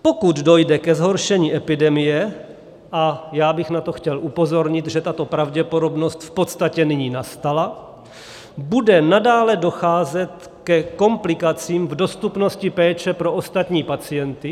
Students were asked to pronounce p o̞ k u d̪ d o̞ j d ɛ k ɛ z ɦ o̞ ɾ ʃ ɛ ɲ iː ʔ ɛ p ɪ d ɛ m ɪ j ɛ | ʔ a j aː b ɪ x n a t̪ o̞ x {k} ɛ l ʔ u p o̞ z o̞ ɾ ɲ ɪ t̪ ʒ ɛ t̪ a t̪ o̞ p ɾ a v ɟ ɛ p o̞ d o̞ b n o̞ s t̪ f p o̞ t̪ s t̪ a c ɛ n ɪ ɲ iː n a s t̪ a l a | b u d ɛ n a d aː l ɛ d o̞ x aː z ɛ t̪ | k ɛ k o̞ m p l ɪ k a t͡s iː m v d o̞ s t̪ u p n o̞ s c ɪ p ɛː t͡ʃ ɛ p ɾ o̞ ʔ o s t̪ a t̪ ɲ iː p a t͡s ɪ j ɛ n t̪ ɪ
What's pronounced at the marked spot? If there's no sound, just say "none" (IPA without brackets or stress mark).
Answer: c